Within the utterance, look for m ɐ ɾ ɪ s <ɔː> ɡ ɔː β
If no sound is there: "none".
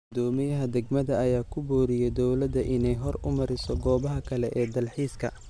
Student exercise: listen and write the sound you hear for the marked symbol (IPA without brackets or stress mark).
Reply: ɔ